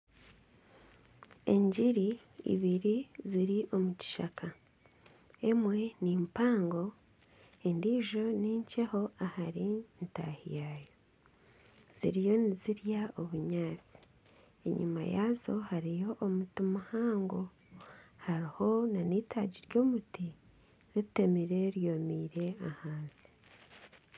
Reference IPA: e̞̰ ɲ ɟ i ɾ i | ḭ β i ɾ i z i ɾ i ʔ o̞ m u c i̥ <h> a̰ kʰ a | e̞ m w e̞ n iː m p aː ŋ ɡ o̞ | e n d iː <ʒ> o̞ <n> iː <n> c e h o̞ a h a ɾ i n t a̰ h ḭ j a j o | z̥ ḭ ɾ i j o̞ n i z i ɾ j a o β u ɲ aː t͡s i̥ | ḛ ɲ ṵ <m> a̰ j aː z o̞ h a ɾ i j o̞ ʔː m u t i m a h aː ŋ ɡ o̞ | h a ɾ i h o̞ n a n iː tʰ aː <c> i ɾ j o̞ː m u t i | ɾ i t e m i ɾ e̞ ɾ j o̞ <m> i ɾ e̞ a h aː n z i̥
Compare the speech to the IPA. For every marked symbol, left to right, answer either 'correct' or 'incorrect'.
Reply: incorrect, correct, correct, incorrect, correct, incorrect, correct

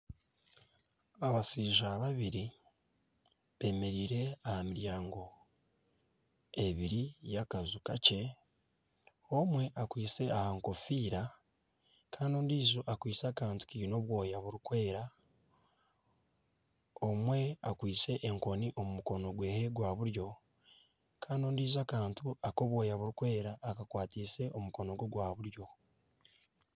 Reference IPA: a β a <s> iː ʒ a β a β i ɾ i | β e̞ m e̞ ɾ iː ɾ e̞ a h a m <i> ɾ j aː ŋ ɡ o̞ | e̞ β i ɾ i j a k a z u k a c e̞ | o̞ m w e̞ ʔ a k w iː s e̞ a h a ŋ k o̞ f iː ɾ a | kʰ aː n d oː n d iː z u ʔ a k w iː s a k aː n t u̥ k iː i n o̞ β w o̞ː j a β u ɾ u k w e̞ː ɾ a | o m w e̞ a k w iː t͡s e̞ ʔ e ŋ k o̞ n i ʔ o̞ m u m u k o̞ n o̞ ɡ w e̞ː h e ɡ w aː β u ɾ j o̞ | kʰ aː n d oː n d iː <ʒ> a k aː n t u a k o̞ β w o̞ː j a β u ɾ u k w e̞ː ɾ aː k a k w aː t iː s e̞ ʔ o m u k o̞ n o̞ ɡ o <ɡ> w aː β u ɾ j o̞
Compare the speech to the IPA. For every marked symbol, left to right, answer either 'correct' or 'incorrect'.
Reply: correct, correct, incorrect, correct

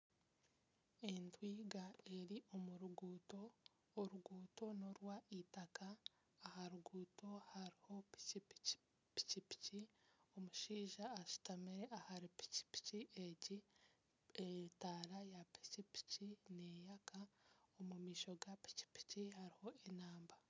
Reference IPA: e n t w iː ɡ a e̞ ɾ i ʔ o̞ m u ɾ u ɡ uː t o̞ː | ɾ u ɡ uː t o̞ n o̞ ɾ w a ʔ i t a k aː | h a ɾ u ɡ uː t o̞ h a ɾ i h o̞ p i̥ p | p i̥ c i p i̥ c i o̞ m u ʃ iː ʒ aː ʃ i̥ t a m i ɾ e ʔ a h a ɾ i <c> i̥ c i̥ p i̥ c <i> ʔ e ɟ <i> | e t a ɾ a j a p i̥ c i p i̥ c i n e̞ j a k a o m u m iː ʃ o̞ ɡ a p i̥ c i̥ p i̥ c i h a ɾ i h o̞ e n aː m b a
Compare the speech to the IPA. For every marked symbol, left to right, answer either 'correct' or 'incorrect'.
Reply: incorrect, correct, correct

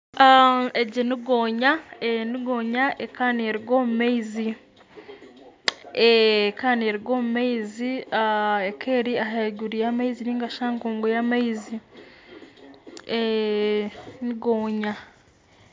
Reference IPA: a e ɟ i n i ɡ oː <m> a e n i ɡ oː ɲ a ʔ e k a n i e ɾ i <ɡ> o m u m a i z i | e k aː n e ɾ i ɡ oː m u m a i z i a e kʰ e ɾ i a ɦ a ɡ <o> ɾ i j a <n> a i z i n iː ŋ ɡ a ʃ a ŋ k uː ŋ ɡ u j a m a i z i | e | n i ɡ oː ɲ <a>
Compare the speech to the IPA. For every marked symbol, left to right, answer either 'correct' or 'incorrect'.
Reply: incorrect, correct, incorrect, incorrect, correct

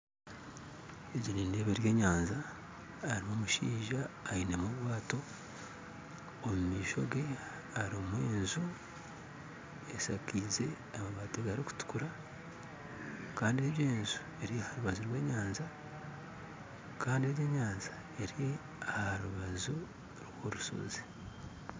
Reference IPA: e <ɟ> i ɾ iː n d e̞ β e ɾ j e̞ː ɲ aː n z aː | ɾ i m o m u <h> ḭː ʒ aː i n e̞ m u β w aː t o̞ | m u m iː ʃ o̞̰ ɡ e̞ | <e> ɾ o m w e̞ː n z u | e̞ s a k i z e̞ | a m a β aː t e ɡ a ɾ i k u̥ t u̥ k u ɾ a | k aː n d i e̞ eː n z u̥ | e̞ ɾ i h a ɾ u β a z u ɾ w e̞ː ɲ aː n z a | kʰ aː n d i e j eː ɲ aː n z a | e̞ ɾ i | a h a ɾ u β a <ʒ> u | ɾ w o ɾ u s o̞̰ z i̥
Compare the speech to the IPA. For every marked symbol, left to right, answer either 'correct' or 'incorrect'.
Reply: correct, incorrect, incorrect, incorrect

